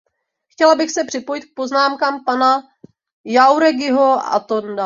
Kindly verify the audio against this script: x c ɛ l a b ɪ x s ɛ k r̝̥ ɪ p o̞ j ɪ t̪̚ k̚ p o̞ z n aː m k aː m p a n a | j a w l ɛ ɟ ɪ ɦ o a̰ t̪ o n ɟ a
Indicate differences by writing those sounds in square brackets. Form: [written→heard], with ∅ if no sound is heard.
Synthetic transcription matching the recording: x c ɛ l a b ɪ x s ɛ [k→p] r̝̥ ɪ p o̞ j ɪ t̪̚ k̚ p o̞ z n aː m k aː m p a n a | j a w [l→ɾ] ɛ [ɟ→ɡ] ɪ ɦ o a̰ t̪ o n [ɟ→d] a